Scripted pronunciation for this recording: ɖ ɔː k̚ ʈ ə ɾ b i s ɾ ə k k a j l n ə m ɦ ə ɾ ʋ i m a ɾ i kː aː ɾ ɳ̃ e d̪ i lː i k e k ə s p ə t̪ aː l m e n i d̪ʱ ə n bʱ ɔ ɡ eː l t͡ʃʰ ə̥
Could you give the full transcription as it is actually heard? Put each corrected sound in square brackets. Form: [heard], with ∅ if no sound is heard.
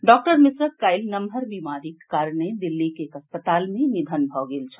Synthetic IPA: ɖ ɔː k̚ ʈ ə ɾ [m] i s ɾ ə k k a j l n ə m ɦ ə ɾ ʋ i m a ɾ i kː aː ɾ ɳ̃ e d̪ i lː i k e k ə s p ə t̪ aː l m e n i d̪ʱ ə n bʱ ɔ ɡ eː l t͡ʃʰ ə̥